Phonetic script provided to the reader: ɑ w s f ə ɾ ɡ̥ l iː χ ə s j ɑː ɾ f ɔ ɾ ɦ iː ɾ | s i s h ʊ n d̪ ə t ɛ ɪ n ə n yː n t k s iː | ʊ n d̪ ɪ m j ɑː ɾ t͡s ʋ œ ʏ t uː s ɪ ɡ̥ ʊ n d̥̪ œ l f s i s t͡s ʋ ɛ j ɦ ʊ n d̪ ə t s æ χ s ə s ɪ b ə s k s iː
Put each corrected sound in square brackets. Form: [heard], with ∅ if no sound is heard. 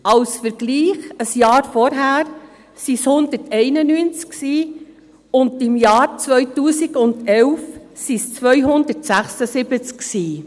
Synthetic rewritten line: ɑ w s f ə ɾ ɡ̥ l iː χ ə s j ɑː ɾ f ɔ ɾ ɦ [æː] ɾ | s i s h ʊ n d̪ ə t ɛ ɪ n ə n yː n [t͡s] k s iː | ʊ n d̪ ɪ m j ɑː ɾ t͡s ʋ œ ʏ t uː s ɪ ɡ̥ ʊ n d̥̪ [ɛ] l f s i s t͡s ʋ [œ] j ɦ ʊ n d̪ ə t s æ χ s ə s ɪ b ə [t͡s] k s iː